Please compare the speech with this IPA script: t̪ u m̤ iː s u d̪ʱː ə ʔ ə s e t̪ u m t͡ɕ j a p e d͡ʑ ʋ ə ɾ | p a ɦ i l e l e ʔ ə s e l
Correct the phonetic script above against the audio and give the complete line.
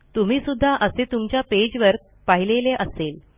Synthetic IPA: t̪ u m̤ iː s u d̪ʱː a ʔ ə s e t̪ u m t͡ɕ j a p e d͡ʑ ʋ ə ɾ | p a ɦ i l e l e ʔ ə s e l

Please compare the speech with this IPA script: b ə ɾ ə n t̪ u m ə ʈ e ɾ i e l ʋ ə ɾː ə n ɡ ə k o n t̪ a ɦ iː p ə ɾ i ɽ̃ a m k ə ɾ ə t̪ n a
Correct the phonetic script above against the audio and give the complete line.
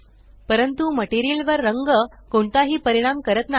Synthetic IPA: p ə ɾ ə n t̪ u m ə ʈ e ɾ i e l ʋ ə ɾː ə ŋ ɡ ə k o ɳ t̪ a ɦ iː p ə ɾ i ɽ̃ a m k ə ɾ ə t̪ n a

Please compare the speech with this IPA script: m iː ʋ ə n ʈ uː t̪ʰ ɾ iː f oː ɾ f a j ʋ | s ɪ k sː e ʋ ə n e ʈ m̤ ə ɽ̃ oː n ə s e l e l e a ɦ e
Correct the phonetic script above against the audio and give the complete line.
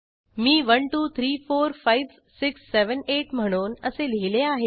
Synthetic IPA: m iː ʋ ə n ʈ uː t̪ʰ ɾ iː f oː ɾ f a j ʋ | s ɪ k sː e ʋ ə n e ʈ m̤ ə ɽ̃ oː n ə s e l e l e a ɦ e

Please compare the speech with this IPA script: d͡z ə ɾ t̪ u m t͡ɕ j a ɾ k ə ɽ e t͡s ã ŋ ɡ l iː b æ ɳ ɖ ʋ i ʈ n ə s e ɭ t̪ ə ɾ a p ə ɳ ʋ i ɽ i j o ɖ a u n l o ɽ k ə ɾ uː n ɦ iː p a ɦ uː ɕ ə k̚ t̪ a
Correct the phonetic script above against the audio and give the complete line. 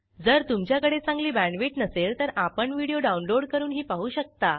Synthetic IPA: d͡z ə ɾ t̪ u m t͡ɕ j a k ə ɽ e t͡s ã ŋ ɡ l iː b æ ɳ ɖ ʋ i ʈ n ə s e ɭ t̪ ə ɾ a p ə ɳ ʋ i ɽ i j o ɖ a u n l o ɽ k ə ɾ uː n ɦ iː p a ɦ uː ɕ ə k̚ t̪ a

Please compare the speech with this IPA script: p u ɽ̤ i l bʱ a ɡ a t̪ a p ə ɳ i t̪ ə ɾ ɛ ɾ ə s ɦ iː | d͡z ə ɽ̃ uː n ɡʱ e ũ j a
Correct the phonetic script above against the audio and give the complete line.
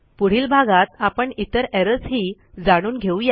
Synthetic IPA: p u ɽ̤ iː l bʱ a ɡ a t̪ a p ə ɳ i t̪ ə ɾ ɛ ɾ ə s ɦ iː | d͡z a ɽ̃ uː n ɡʱ e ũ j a

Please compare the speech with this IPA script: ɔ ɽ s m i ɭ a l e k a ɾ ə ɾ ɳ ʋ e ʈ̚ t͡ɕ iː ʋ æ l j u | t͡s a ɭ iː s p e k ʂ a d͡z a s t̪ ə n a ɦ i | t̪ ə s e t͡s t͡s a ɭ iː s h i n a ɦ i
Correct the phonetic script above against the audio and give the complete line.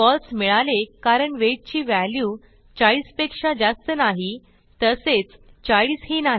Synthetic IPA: ɔ l s m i ɭ a l e k a ɾ ə ɳ ʋ e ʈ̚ t͡ɕ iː ʋ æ l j u | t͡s a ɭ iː s p e k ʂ a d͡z a s t̪ ə n a ɦ i | t̪ ə s e t͡s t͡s a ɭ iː s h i n a ɦ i

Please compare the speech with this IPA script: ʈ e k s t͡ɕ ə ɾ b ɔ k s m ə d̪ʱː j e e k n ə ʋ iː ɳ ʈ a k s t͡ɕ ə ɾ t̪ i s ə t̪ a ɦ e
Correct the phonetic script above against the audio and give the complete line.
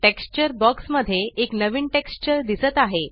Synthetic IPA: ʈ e k s t͡ɕ ə ɾ b ɔ k s m ə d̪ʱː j e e k n ə ʋ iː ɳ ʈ e k s t͡ɕ ə ɾ d̪ i s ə t̪ a ɦ e

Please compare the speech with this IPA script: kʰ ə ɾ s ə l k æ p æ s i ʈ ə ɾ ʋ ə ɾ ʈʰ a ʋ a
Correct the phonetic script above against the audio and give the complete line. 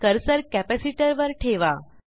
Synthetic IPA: k ə ɾ s ə ɾ k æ p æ s i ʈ ə ɾ ʋ ə ɾ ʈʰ e ʋ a

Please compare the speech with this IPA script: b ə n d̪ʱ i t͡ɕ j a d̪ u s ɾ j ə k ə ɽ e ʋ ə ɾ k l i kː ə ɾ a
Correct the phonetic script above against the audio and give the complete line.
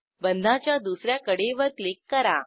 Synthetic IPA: b ə n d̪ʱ a t͡ɕ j a d̪ u s ɾ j a k ə ɽ e ʋ ə ɾ k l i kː ə ɾ a

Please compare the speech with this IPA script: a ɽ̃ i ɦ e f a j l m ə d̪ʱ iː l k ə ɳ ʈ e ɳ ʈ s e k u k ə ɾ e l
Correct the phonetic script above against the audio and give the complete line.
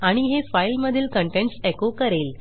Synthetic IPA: a ɽ̃ i ɦ e f a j l m ə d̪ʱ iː l k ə ɳ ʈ e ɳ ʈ s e k o k ə ɾ e l

